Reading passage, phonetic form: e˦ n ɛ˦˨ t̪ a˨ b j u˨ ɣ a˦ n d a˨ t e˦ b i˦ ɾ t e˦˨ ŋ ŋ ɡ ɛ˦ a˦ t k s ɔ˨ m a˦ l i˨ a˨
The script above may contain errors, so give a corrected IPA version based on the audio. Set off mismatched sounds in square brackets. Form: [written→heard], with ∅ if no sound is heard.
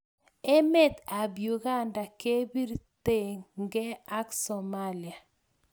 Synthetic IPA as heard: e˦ [n→m] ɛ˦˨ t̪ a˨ b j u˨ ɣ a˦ n d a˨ [t→k] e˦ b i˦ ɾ t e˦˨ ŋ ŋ ɡ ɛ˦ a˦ [t→∅] k s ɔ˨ m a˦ l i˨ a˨